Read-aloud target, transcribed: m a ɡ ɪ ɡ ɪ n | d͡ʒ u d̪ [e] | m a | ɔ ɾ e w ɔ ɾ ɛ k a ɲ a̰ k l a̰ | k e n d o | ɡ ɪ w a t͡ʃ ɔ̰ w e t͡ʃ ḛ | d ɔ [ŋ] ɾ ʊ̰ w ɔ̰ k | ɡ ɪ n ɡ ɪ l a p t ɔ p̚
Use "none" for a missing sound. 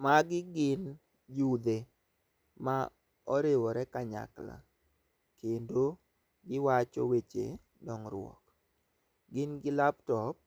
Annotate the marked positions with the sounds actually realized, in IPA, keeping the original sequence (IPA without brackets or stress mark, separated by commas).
e, ŋ